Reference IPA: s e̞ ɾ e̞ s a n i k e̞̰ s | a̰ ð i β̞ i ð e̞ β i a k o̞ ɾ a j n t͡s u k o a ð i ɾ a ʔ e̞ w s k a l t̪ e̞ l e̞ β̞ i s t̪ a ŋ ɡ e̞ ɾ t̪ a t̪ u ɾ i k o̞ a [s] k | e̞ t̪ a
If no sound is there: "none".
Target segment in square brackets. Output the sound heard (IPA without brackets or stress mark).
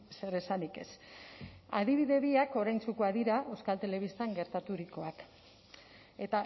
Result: none